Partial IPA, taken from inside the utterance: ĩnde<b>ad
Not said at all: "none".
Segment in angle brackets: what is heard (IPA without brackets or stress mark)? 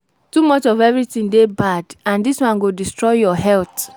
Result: b